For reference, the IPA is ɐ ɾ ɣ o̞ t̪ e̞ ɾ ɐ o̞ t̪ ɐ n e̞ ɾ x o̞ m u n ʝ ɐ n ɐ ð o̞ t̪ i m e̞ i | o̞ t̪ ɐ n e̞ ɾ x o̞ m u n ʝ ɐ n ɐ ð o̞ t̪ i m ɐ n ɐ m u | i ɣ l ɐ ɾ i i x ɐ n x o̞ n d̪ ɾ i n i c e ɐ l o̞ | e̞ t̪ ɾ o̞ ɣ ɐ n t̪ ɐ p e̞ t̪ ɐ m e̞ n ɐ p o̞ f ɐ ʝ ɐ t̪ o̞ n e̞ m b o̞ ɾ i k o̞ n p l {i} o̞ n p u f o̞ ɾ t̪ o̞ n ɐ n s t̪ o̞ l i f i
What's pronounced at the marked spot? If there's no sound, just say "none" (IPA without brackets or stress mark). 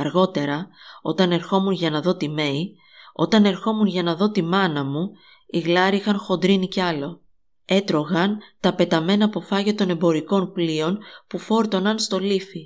i